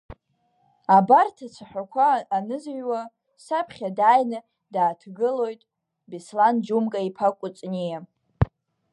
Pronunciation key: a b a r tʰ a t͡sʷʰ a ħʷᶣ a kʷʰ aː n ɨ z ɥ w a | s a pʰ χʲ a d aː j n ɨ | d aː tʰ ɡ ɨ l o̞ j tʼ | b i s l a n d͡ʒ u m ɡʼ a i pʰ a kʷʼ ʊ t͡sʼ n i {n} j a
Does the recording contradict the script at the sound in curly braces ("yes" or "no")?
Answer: yes